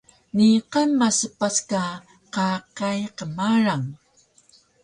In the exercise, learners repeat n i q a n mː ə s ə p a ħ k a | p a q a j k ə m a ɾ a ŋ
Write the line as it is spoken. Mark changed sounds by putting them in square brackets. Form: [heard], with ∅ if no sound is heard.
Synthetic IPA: n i q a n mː [a] s ə p a [s] k a | [q] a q a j [q] ə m a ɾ a ŋ